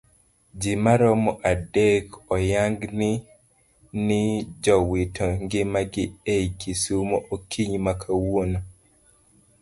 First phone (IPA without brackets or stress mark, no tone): d͡ʒ